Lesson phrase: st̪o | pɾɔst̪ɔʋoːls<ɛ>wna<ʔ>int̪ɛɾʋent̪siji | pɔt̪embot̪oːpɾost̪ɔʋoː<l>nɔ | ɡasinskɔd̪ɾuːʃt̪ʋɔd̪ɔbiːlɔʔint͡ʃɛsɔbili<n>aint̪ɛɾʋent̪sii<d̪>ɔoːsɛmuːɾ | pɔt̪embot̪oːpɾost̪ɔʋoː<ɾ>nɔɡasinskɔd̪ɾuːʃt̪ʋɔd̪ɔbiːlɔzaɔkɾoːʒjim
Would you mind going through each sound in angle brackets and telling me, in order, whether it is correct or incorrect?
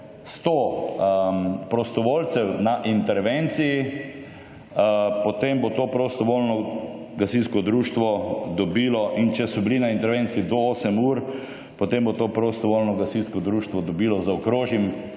correct, correct, correct, correct, correct, incorrect: l

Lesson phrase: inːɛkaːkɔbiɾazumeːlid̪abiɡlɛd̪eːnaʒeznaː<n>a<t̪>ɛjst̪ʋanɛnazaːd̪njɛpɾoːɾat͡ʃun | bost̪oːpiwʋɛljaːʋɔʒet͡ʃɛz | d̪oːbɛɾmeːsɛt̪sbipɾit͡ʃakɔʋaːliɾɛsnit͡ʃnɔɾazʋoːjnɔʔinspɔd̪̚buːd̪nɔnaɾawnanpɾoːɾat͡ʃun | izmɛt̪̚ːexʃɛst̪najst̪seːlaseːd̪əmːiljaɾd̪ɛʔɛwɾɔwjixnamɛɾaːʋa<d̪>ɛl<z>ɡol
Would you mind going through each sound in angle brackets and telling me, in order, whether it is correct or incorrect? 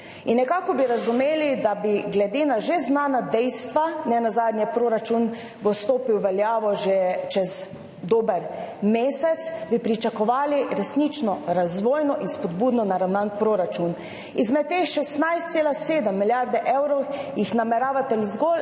correct, incorrect: d̪, incorrect: t̪, correct

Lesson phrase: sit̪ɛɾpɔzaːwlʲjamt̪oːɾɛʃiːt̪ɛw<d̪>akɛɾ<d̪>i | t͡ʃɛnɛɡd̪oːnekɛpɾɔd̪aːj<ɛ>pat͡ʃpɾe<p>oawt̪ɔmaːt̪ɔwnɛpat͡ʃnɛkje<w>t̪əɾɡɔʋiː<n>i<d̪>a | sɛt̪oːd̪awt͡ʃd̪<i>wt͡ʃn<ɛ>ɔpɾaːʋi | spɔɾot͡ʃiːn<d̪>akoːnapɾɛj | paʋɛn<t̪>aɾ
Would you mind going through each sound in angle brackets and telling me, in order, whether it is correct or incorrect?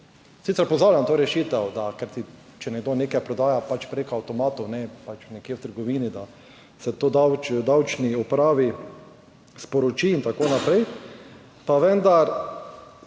correct, incorrect: t̪, incorrect: a, incorrect: k, correct, correct, correct, incorrect: a, incorrect: i, incorrect: t̪, incorrect: d̪

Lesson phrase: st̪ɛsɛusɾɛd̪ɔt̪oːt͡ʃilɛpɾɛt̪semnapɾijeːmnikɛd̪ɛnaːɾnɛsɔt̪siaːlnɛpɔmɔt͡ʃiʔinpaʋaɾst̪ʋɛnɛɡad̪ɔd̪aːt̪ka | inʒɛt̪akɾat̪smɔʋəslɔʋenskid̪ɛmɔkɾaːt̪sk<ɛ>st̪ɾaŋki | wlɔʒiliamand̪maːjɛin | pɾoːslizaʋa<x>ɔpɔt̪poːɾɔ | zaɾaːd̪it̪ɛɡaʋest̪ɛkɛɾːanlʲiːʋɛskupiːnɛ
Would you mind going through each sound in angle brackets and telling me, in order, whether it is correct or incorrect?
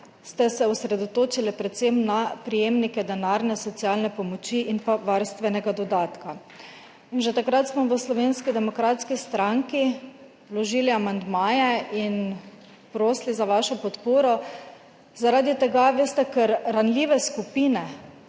incorrect: i, incorrect: ʃ

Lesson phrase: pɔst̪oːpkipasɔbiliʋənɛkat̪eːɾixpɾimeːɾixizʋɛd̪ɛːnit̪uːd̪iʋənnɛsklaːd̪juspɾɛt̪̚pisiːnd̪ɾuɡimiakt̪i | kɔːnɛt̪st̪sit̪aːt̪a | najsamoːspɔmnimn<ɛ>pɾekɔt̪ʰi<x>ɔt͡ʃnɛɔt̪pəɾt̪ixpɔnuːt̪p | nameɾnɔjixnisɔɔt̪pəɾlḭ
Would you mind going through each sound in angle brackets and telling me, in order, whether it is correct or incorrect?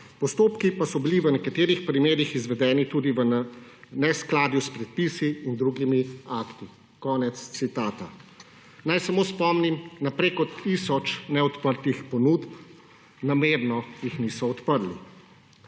incorrect: a, incorrect: s

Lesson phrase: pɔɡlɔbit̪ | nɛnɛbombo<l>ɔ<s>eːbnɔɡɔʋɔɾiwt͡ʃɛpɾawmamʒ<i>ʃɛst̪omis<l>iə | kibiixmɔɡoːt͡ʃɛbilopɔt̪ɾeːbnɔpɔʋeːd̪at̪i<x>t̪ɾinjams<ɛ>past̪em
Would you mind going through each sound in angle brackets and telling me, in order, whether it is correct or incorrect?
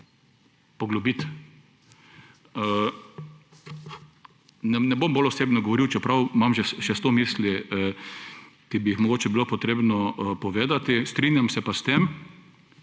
correct, correct, incorrect: ɛ, correct, incorrect: s, correct

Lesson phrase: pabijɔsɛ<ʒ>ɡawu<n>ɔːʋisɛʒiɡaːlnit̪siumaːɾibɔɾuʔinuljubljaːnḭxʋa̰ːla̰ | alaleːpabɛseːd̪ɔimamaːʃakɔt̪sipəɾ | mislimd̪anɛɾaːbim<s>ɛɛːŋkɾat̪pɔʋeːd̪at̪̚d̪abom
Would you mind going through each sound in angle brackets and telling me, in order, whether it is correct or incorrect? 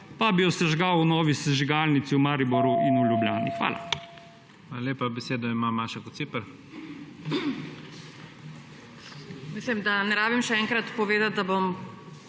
correct, correct, incorrect: ʃ

